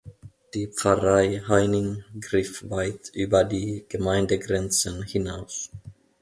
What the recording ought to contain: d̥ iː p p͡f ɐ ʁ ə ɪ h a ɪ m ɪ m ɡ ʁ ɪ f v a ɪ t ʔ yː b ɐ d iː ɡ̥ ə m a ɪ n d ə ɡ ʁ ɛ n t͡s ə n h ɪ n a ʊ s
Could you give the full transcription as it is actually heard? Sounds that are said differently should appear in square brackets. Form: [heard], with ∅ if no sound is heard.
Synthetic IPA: d̥ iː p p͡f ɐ ʁ [a] ɪ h a ɪ [n] ɪ [ŋ] ɡ ʁ ɪ f v a ɪ t ʔ yː b ɐ d iː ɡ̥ ə m a ɪ n d ə ɡ ʁ ɛ n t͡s ə n h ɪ n a ʊ s